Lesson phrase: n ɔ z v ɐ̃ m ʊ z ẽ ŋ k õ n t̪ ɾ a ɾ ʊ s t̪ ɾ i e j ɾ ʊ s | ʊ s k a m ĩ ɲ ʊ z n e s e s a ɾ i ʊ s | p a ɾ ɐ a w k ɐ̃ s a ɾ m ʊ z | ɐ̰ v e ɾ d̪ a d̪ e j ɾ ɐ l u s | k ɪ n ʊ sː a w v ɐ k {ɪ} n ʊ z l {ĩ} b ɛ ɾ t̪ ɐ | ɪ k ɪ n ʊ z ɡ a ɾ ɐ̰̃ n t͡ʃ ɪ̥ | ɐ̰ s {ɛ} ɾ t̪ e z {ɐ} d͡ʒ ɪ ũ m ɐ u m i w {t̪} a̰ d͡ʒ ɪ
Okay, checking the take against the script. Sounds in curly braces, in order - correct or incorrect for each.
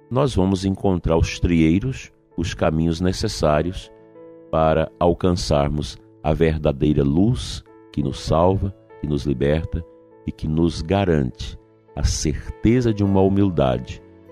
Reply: correct, incorrect: i, incorrect: e, correct, incorrect: d̪

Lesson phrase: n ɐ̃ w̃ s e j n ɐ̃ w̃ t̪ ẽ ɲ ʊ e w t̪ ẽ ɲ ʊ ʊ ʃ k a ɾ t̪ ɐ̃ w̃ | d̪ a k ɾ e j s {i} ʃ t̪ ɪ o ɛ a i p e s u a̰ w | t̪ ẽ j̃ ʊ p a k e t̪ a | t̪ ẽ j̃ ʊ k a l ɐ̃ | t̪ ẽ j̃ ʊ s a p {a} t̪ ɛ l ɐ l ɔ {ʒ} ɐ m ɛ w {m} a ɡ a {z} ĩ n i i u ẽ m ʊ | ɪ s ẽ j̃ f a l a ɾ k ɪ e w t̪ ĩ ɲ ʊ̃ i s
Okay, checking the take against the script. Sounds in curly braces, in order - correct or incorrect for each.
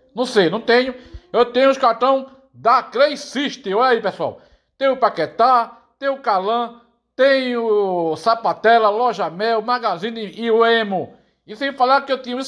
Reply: correct, correct, correct, correct, correct

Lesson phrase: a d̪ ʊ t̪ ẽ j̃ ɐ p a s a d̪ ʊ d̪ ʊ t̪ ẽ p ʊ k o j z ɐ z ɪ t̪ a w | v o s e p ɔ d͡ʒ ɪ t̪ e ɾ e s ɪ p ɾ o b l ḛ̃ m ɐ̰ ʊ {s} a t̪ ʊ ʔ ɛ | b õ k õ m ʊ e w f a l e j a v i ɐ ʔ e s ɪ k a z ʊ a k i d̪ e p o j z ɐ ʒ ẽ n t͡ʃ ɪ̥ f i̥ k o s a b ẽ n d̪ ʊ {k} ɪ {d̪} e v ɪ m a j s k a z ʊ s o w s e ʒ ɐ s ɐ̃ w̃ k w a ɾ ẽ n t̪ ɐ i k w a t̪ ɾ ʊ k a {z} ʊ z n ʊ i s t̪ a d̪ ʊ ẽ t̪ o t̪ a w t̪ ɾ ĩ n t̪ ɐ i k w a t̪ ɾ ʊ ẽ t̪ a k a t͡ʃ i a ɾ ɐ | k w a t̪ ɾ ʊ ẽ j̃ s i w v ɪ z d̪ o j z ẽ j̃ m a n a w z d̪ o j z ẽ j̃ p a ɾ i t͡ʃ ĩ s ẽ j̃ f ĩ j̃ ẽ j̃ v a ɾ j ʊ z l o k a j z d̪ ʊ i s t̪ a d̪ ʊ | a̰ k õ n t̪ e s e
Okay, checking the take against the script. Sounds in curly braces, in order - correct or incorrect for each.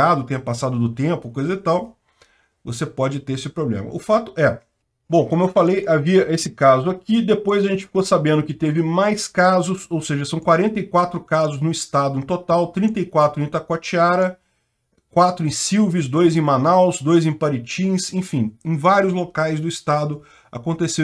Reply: incorrect: f, correct, incorrect: t̪, correct

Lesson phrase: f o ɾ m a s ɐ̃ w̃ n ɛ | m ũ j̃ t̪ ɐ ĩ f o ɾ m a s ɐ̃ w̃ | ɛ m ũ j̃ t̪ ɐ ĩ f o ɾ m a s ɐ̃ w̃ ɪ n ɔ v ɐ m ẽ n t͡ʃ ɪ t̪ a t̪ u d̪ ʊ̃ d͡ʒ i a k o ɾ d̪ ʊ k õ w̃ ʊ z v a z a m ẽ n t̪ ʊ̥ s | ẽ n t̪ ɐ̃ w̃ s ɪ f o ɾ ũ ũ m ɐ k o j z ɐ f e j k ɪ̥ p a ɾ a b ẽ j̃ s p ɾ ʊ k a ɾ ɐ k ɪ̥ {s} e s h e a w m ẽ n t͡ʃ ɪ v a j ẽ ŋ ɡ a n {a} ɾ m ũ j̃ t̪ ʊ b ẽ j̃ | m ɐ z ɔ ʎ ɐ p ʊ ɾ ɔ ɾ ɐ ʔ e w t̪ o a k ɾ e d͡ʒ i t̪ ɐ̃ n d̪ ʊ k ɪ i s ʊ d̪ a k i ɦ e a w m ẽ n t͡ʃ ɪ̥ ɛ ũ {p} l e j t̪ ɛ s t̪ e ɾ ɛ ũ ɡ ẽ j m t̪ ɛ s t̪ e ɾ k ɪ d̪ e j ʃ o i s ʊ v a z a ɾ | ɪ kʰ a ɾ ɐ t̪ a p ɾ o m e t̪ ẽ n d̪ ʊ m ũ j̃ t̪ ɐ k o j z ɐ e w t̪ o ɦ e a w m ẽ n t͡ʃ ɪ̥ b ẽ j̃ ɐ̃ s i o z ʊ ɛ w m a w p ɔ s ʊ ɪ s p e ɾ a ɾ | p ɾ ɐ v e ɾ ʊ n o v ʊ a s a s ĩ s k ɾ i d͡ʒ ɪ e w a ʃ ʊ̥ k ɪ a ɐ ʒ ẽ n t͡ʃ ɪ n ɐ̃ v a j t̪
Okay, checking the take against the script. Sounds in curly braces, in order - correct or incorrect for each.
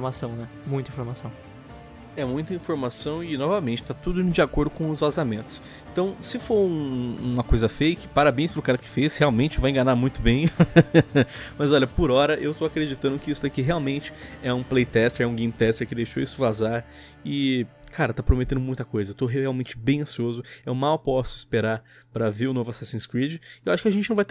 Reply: incorrect: f, correct, correct

